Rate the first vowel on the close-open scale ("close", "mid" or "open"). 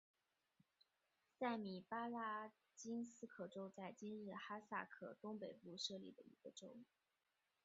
open